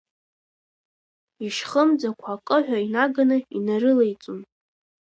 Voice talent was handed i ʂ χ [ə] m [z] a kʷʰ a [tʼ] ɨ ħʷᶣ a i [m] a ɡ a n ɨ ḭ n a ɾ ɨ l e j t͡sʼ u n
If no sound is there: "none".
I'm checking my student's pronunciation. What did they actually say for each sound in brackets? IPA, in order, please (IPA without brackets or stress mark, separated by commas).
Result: ə, d͡z, kʼ, n